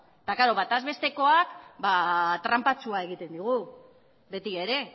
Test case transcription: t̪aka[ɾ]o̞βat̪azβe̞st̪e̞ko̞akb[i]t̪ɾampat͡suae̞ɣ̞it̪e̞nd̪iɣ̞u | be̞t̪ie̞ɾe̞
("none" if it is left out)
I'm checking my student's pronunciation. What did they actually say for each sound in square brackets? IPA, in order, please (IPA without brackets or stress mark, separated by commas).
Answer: ɾ, a